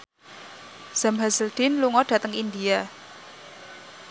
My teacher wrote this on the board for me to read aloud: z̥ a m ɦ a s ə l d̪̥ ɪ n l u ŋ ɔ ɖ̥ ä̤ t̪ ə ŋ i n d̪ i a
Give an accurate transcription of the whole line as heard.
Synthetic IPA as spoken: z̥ a m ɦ a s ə l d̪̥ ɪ n l u ŋ ɔ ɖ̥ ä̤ t̪ ə ŋ i n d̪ i a